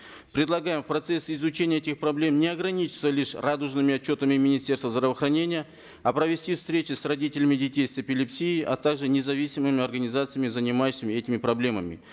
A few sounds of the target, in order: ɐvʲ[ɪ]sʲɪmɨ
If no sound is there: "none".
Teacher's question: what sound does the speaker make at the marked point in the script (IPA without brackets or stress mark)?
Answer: i